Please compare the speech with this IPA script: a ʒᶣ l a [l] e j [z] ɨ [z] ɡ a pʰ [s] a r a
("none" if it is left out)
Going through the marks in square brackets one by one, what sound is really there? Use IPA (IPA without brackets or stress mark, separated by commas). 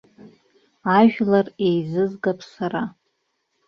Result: r, z, z, s